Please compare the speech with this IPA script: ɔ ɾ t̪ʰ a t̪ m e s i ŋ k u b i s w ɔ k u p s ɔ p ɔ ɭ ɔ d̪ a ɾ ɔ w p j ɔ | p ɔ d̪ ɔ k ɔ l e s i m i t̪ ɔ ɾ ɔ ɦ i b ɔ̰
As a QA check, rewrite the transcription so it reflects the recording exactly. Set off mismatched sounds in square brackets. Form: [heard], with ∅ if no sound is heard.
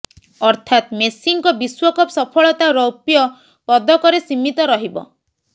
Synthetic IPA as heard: ɔ ɾ t̪ʰ a t̪ m e s i ŋ k [ɔ] b i s w ɔ k [ɔ] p s ɔ [pʰ] ɔ ɭ ɔ [t̪] a ɾ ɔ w p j ɔ | p ɔ d̪ ɔ k ɔ [ɾ] e s i m i t̪ ɔ ɾ ɔ ɦ i b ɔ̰